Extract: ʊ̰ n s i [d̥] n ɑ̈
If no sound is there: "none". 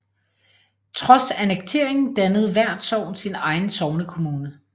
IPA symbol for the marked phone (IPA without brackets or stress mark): none